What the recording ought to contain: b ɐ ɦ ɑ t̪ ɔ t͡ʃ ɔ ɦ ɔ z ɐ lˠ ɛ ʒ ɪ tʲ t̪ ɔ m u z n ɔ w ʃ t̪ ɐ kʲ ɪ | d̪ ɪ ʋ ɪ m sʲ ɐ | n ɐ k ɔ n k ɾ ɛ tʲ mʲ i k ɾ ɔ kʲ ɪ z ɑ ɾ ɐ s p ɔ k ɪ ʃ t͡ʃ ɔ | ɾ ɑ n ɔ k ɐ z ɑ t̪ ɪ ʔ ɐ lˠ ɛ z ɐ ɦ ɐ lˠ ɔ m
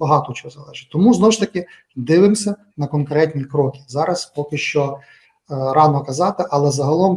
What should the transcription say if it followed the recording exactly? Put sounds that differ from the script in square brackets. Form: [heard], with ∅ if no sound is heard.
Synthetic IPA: b ɐ ɦ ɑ t̪ ɔ t͡ʃ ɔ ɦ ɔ z ɐ lˠ ɛ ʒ ɪ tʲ t̪ ɔ m u z n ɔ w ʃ t̪ ɐ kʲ ɪ | d̪ ɪ ʋ ɪ m sʲ ɐ | n ɐ k ɔ n k ɾ ɛ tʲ [nʲ] i k ɾ ɔ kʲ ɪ z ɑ ɾ ɐ s p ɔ k ɪ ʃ t͡ʃ ɔ | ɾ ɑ n ɔ k ɐ z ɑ t̪ ɪ ʔ ɐ lˠ ɛ z ɐ ɦ ɐ lˠ ɔ m